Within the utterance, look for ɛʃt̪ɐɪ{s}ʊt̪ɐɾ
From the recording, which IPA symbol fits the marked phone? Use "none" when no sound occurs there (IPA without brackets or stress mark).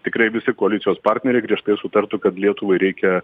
s